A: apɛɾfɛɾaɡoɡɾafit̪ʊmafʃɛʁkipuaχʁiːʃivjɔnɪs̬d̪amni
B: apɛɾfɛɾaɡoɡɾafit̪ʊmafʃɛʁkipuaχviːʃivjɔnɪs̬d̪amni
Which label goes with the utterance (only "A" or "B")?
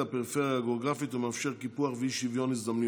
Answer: B